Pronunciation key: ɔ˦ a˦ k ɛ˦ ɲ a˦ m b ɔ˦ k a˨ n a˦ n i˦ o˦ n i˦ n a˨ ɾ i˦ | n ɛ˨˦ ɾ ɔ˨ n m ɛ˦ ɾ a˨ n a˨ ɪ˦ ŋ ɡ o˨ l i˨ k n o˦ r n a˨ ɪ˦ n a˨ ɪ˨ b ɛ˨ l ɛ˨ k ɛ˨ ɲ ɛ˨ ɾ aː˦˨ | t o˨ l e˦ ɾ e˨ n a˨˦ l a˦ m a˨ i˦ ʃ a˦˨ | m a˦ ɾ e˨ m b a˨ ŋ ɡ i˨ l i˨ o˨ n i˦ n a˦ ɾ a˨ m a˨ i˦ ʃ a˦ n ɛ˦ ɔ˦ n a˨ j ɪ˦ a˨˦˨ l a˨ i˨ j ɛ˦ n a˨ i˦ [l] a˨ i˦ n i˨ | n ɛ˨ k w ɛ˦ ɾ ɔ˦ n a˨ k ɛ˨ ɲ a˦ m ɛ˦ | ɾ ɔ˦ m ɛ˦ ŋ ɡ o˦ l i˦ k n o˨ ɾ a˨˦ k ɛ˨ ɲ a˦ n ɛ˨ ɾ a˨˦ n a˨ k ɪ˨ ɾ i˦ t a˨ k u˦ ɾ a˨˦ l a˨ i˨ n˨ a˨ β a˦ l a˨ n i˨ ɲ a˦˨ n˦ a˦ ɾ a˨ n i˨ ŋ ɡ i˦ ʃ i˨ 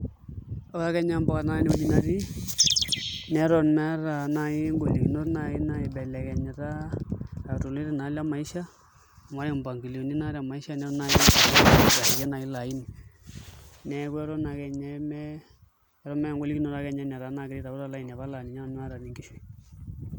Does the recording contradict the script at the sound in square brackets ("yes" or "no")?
no